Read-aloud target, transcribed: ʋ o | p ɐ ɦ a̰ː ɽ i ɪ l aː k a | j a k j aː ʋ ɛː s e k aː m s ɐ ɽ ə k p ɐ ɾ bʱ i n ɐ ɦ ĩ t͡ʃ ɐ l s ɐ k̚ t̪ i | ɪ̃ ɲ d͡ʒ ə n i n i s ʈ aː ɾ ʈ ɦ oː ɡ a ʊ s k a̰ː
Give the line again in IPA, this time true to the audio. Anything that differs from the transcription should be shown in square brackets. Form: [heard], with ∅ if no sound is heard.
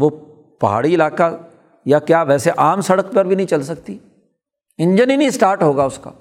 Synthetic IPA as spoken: ʋ o | p ɐ ɦ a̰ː ɽ i ɪ l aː k a | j a k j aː ʋ ɛː s e [ʔ] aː m s ɐ ɽ ə k p ɐ ɾ bʱ i n ɐ ɦ ĩ t͡ʃ ɐ l s ɐ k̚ t̪ i | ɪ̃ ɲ d͡ʒ ə n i n i s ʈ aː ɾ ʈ ɦ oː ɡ a ʊ s k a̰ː